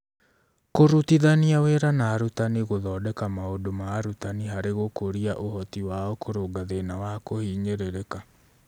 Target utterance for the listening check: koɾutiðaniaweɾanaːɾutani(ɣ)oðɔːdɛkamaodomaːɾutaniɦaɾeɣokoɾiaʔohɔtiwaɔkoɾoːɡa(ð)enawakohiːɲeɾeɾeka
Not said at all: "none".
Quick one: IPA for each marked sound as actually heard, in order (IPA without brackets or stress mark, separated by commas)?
ɣ, ð